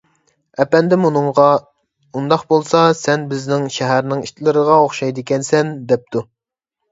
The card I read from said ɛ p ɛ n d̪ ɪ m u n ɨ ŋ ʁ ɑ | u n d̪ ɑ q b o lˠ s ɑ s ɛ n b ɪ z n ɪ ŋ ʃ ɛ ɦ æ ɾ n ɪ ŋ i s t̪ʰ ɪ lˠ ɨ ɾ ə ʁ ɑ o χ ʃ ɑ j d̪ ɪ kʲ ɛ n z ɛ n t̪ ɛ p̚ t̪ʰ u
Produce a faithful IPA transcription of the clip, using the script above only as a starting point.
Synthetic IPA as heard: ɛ p ɛ n d̪ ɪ m u n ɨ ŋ ʁ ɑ | u n d̪ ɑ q b o lˠ s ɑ s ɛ n b ɪ z n ɪ ŋ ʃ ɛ ɦ æ ɾ n ɪ ŋ i ʃ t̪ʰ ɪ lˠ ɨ ɾ ə ʁ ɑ o χ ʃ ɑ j d̪ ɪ kʲ ɛ n s ɛ n d̪ ɛ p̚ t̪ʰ u